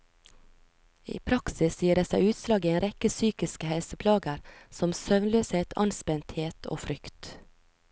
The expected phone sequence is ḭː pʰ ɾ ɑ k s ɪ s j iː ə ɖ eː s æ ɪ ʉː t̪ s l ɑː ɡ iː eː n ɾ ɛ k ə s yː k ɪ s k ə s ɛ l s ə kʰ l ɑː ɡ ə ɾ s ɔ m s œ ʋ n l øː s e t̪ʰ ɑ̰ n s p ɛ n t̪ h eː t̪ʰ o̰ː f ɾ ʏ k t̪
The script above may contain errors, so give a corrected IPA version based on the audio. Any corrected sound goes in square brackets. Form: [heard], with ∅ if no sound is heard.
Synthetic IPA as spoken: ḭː pʰ ɾ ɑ k s ɪ s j iː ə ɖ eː s æ ɪ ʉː t̪ s l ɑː ɡ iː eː n ɾ ɛ k ə s yː k ɪ s k ə [h] ɛ l s ə [pʰ] l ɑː ɡ ə ɾ s ɔ m s œ ʋ n l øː s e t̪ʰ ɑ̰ n s p ɛ n t̪ h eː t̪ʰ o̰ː f ɾ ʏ k t̪